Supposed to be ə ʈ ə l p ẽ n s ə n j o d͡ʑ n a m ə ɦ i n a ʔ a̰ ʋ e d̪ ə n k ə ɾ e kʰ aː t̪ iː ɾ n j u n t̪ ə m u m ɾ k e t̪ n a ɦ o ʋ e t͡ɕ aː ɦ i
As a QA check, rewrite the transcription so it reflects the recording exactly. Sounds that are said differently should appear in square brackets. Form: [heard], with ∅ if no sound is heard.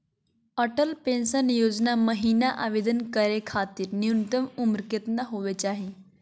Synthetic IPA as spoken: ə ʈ ə l p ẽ n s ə n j o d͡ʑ n a m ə ɦ i n a ʔ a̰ ʋ e d̪ ə n k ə ɾ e kʰ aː t̪ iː ɾ n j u n t̪ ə m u m ɾ k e t̪ n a ɦ o ʋ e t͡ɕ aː ɦ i